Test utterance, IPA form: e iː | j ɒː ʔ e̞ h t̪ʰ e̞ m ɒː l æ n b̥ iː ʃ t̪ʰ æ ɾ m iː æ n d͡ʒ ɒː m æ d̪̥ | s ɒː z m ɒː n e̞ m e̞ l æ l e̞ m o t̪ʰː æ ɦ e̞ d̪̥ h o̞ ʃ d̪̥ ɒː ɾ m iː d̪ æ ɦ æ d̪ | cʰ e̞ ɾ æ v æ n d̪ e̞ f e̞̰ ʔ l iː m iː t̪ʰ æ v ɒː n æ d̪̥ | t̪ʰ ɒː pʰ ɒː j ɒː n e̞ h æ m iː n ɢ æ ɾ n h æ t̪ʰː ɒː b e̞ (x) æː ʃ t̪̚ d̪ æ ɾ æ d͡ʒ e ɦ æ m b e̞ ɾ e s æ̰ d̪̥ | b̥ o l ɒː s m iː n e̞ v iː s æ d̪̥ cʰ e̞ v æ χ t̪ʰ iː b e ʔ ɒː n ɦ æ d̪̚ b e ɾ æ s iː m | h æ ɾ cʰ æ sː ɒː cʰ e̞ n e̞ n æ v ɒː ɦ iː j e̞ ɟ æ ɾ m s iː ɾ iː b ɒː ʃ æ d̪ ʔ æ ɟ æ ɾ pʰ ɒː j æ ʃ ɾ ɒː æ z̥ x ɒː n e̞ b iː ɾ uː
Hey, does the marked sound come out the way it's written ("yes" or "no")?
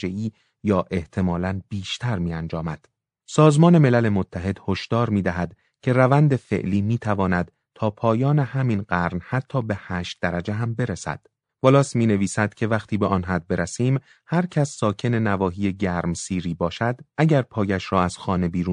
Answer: no